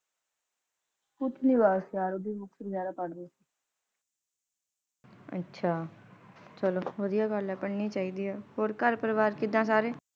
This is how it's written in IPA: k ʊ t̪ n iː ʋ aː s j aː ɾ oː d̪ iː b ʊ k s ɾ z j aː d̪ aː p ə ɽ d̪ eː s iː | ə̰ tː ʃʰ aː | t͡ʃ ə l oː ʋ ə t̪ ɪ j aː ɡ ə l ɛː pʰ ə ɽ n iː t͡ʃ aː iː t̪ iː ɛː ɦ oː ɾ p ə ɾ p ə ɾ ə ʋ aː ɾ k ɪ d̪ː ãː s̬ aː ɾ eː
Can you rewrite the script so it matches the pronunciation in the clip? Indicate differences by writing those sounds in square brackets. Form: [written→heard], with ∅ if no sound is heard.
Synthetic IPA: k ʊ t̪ n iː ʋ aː s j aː ɾ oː d̪ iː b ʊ k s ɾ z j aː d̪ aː p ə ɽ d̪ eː s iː | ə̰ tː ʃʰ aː | t͡ʃ ə l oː ʋ ə [t̪→d̪] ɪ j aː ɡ ə l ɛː [pʰ→p] ə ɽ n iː t͡ʃ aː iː [t̪→d̪] iː ɛː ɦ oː ɾ [p→k] ə ɾ p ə ɾ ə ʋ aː ɾ k ɪ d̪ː ãː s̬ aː ɾ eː